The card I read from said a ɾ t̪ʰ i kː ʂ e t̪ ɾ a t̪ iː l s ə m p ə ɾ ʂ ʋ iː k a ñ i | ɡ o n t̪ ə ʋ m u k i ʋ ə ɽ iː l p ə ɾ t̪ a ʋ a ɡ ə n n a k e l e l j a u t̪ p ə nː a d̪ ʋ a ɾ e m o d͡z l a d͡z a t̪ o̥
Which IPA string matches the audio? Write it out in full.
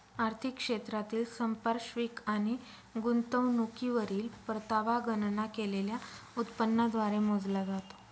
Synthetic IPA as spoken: a ɾ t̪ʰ i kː ʂ e t̪ ɾ a t̪ iː l s ə m p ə ɾ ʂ ʋ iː k a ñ i | ɡ u n t̪ ə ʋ n u k i ʋ ə ɾ iː l p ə ɾ t̪ a ʋ a ɡ ə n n a k e l e l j a u t̪ p ə nː a d̪ ʋ a ɾ e m o d͡z l a d͡z a t̪ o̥